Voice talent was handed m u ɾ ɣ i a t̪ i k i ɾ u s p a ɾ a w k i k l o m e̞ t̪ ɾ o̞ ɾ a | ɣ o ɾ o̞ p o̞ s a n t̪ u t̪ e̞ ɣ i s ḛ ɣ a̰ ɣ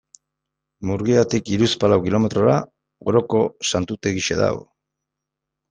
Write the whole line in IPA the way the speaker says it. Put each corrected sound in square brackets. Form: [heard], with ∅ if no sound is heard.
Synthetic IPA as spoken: m u ɾ ɣ i a t̪ i k i ɾ u s p a [l] a w k i [∅] l o m e̞ t̪ ɾ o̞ ɾ a | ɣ o ɾ o̞ [k] o̞ s a n t̪ u t̪ e̞ ɣ i [ʃ] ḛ [ð] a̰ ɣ